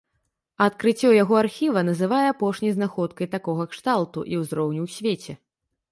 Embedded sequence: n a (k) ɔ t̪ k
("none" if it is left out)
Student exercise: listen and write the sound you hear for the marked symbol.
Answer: x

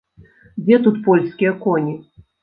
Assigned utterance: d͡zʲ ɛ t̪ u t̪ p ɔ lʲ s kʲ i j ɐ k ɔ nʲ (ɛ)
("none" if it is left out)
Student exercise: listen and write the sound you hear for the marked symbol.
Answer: i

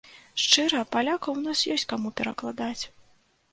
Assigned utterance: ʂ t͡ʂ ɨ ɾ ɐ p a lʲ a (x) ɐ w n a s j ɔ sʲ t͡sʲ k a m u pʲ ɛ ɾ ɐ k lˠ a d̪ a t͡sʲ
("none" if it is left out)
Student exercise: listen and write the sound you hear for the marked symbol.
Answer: k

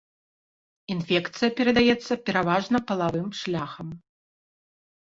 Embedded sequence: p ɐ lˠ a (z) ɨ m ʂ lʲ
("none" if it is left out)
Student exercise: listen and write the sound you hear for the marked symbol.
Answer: v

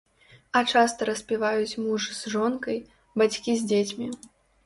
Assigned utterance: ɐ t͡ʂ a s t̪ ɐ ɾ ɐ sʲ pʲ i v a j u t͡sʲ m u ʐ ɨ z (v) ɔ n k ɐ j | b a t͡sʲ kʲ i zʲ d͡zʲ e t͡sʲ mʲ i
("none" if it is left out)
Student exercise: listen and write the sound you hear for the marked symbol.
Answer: ʐ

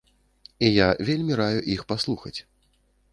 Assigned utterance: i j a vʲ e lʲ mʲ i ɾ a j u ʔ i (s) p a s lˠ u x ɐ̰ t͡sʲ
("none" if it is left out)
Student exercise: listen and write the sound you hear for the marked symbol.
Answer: x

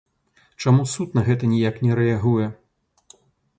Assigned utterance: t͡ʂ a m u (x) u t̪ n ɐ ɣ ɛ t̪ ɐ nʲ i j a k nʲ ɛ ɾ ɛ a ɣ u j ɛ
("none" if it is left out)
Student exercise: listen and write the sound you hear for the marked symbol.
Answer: s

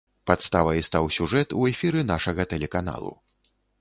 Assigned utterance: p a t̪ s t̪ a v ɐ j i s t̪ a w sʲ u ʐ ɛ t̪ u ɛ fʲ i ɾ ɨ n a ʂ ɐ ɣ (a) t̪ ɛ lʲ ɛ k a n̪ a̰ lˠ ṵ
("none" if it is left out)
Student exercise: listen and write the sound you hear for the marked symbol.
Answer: ɐ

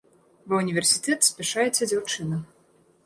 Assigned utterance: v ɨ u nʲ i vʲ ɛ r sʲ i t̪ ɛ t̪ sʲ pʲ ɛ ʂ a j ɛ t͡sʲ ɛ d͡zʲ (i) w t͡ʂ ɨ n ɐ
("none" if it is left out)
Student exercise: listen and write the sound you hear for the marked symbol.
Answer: a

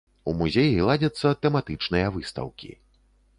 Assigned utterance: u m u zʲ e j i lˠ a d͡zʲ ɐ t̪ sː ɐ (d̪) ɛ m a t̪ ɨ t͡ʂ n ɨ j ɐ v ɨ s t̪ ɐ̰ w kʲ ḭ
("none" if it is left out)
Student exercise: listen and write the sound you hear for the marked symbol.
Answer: t̪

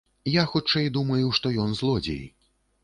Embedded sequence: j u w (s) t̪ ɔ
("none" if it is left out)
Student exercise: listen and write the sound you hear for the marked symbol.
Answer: ʂ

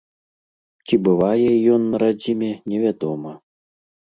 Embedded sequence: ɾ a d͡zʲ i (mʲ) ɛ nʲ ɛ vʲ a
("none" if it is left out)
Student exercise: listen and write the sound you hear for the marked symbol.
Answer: mʲ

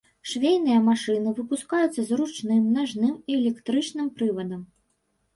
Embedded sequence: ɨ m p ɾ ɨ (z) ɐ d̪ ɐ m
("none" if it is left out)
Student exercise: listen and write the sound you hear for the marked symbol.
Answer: v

